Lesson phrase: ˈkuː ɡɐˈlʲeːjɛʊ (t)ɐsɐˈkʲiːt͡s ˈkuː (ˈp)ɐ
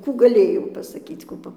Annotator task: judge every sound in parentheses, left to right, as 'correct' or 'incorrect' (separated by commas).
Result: incorrect, correct